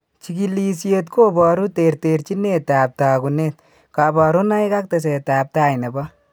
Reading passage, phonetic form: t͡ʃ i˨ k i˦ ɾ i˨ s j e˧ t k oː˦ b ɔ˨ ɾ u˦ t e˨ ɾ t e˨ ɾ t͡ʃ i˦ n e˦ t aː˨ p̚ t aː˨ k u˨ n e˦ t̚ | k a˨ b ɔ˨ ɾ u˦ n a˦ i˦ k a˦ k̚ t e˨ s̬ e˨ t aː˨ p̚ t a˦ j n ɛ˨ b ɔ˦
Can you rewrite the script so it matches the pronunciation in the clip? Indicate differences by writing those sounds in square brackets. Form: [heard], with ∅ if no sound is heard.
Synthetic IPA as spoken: t͡ʃ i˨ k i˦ [l] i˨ s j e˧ t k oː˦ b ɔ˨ ɾ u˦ t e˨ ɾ t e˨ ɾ t͡ʃ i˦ n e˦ t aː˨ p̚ t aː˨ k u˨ n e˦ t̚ | k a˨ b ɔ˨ ɾ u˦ n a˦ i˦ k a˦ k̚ t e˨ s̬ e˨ t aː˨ p̚ t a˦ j n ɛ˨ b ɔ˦